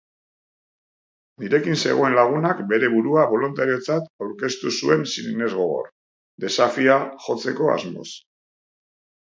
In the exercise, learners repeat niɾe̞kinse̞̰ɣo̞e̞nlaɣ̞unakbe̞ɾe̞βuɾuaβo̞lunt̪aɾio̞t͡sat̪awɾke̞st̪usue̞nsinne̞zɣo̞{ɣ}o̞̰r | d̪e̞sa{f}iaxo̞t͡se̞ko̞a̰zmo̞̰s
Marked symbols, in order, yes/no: yes, yes

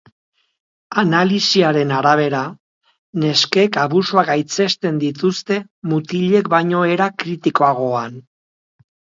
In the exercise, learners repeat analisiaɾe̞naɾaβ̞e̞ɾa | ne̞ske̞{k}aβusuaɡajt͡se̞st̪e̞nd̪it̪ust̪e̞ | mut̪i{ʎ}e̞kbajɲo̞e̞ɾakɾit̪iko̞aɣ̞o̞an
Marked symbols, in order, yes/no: yes, yes

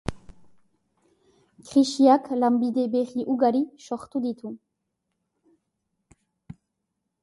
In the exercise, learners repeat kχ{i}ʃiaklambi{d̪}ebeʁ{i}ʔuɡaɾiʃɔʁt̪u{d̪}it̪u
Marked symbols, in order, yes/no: yes, yes, yes, yes

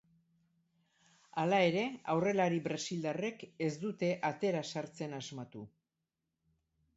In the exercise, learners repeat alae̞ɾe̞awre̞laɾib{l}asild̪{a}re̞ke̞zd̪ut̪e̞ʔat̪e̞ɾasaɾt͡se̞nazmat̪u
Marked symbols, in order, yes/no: no, yes

